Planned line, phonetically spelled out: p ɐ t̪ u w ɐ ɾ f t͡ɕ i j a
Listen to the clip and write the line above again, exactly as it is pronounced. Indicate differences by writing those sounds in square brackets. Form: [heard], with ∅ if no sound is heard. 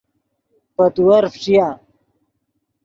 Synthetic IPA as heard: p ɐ t̪ u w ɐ ɾ f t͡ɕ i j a